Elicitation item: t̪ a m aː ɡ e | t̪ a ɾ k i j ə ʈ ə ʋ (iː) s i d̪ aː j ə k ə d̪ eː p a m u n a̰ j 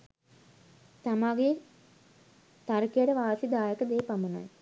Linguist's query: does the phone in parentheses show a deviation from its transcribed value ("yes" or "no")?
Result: yes